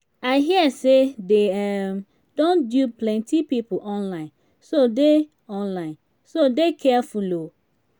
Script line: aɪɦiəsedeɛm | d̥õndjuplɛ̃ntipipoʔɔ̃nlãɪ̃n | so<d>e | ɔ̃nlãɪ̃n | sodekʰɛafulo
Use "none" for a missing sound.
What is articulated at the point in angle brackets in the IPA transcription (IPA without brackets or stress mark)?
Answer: d